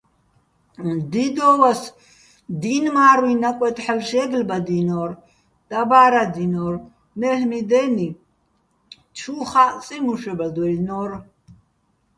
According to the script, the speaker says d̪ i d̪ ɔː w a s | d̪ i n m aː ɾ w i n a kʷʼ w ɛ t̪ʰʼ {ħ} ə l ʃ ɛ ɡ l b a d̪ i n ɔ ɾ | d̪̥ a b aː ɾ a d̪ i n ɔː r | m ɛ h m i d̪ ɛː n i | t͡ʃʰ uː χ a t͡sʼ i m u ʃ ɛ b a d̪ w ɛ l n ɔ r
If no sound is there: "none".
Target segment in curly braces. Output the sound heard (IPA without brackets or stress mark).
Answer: ħ